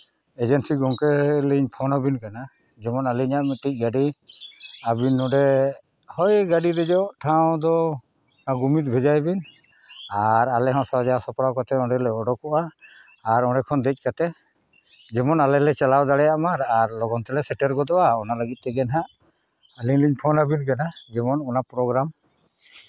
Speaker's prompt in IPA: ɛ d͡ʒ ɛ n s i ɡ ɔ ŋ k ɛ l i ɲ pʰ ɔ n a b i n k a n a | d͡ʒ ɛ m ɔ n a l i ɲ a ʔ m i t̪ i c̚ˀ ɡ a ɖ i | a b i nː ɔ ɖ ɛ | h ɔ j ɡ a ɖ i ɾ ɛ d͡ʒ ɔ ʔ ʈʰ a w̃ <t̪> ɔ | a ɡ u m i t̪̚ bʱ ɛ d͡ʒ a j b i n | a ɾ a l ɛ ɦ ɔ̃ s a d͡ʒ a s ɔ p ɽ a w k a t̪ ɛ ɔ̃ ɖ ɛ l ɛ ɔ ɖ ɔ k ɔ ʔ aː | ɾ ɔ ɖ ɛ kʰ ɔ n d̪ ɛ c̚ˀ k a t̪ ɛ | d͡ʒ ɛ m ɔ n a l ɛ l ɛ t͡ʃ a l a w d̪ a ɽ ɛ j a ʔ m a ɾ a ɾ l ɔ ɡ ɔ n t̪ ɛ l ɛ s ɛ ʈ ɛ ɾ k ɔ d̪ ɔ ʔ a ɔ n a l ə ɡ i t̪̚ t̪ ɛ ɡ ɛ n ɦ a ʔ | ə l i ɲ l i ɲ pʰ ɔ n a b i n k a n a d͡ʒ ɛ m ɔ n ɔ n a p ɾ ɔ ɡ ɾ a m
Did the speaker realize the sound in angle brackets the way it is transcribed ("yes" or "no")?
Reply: no